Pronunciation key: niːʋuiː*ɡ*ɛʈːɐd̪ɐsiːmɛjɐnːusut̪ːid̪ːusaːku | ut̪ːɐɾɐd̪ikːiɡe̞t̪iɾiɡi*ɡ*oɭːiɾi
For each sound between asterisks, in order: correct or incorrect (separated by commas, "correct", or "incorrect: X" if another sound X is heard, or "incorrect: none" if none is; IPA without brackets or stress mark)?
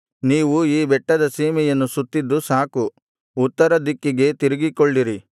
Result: incorrect: b, incorrect: k